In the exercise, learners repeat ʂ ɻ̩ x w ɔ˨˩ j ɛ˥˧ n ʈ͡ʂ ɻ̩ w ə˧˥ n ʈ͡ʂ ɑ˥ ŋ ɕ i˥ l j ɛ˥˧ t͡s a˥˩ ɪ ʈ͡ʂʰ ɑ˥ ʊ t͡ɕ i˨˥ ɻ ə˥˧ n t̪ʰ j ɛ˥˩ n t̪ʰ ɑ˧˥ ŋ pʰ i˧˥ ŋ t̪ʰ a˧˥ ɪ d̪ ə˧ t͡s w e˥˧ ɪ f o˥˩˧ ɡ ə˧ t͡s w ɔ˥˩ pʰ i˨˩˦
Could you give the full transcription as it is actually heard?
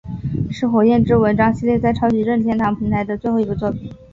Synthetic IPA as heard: ʂ ɻ̩ x w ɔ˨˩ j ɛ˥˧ n ʈ͡ʂ ɻ̩ w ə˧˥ n ʈ͡ʂ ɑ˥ ŋ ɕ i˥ l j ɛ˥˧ t͡s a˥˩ ɪ ʈ͡ʂʰ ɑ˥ ʊ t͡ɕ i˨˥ ɻ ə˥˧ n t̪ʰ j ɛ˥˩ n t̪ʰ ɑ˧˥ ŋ pʰ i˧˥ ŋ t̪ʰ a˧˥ ɪ d̪ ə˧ t͡s w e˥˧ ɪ x o˥˩˧ ɡ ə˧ t͡s w ɔ˥˩ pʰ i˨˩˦